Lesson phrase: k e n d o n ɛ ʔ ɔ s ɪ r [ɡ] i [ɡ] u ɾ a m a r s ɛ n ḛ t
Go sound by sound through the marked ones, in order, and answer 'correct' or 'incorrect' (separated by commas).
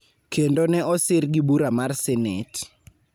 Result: correct, incorrect